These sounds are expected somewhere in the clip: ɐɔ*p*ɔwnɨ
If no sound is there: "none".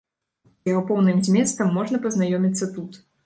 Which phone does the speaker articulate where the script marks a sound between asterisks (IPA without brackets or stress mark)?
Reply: p